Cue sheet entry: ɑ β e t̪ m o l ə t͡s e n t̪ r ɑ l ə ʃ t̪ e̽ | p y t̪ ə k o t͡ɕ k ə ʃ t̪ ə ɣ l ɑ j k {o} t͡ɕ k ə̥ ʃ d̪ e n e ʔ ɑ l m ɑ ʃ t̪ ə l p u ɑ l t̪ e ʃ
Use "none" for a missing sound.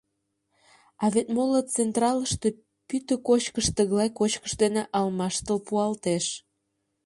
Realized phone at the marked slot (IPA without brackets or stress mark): o